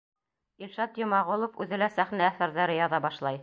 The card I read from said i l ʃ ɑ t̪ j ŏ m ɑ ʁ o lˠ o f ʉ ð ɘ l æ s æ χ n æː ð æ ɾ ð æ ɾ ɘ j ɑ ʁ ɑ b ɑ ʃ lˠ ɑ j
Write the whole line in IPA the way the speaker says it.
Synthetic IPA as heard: i l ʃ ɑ t̪ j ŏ m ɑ ʁ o lˠ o f ʉ ð ɘ l æ s æ χ n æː θ æ ɾ ð æ ɾ ɘ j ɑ ð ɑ b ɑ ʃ lˠ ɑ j